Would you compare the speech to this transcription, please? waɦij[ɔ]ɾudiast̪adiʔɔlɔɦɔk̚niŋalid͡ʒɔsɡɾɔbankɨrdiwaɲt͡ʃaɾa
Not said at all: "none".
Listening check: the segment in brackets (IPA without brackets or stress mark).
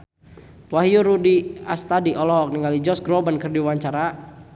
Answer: u